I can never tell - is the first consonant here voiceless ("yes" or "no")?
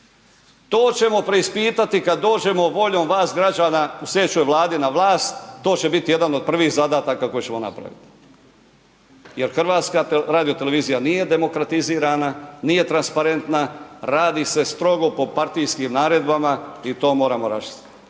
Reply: yes